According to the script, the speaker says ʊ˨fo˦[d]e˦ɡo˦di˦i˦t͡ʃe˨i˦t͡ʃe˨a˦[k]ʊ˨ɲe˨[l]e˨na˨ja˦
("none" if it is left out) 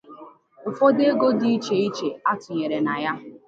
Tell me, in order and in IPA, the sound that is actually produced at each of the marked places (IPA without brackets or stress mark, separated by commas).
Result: d, t, ɾ